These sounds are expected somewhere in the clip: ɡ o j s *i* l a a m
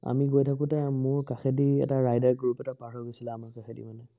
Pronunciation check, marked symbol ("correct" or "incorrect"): correct